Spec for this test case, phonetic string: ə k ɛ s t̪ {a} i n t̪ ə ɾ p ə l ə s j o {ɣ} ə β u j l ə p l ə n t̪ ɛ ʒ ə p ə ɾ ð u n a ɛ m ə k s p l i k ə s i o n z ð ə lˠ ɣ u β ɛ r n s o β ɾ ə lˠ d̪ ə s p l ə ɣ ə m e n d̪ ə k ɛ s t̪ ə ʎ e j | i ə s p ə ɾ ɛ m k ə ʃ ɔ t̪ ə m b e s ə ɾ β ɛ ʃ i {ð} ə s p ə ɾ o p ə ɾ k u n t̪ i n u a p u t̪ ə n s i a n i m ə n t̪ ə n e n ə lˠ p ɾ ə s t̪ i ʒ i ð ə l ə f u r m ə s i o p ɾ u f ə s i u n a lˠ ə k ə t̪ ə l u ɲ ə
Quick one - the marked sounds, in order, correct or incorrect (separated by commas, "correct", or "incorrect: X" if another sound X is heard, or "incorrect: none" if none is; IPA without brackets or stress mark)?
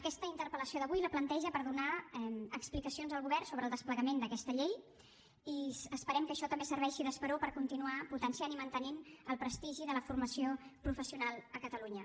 incorrect: ə, incorrect: ð, correct